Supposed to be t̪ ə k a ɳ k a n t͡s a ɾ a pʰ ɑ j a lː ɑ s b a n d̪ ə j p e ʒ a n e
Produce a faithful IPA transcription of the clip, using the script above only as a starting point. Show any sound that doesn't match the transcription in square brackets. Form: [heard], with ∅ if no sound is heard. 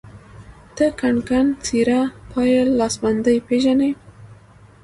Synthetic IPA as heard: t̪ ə k a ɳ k a n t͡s [i] ɾ a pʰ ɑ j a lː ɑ s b a n d̪ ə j p e ʒ a n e